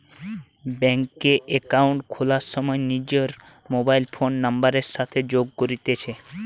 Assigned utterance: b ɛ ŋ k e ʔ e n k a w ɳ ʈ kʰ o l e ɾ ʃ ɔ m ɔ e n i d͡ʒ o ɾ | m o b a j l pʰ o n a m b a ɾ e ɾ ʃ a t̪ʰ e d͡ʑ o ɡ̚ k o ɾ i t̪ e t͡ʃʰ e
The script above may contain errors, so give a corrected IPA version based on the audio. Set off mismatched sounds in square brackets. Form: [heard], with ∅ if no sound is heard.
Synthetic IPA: b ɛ ŋ k e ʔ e [∅] k a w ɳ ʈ kʰ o l [a] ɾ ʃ ɔ m ɔ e n i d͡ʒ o ɾ | m o b a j l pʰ o [nː] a m b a ɾ e ɾ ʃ a t̪ʰ e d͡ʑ o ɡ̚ k o ɾ i t̪ e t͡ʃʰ e